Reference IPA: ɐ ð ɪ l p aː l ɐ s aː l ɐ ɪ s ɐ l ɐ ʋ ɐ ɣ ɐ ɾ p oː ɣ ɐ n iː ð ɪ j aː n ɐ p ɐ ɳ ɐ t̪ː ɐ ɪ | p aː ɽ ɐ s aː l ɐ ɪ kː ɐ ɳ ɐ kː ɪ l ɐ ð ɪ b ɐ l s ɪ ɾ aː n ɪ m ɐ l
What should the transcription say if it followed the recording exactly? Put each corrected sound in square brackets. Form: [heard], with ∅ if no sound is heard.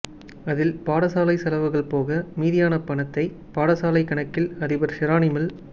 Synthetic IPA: ɐ ð ɪ l p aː [ɽ] ɐ s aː l ɐ ɪ s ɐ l ɐ ʋ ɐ ɣ ɐ [ɭ] p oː ɣ ɐ [m] iː ð ɪ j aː n ɐ p ɐ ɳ ɐ t̪ː ɐ ɪ | p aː ɽ ɐ s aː l ɐ ɪ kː ɐ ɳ ɐ kː ɪ l ɐ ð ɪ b ɐ [ɾ] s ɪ ɾ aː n ɪ m ɐ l